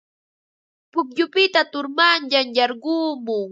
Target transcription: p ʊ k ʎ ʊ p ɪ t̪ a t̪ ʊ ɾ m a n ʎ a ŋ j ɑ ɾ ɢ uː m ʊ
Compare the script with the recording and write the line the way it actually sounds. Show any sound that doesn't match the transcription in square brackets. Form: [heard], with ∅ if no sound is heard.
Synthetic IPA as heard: p ʊ k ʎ ʊ p ɪ t̪ a t̪ ʊ ɾ m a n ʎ a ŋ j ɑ ɾ ɢ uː m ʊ